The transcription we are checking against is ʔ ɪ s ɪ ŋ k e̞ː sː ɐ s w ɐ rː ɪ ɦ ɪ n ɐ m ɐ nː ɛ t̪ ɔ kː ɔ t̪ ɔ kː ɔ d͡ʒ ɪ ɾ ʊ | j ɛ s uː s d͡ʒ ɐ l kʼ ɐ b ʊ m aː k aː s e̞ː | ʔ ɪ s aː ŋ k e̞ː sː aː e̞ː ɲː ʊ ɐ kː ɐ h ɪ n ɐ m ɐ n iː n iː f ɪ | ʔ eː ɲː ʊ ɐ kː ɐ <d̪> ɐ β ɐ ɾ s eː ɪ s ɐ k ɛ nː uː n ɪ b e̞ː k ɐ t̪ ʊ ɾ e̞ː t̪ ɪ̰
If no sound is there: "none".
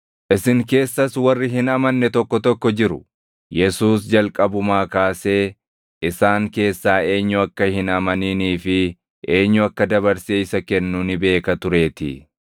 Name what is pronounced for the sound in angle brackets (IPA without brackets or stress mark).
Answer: d̪